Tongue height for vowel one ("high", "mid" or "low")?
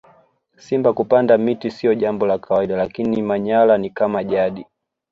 high